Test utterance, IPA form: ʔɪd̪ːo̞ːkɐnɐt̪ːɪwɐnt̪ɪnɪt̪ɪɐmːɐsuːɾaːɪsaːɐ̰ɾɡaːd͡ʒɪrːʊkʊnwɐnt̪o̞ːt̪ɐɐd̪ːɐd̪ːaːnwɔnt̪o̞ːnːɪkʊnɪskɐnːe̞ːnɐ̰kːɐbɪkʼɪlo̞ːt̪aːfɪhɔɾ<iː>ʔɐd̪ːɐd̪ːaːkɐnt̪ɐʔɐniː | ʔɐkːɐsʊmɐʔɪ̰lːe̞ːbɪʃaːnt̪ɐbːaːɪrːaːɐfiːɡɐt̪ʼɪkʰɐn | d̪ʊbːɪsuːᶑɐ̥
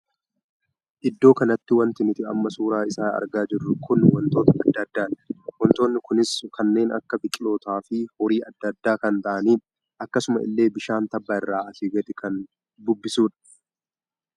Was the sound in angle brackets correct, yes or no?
yes